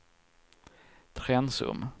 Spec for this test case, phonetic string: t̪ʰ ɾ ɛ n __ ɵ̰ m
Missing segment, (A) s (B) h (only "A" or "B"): A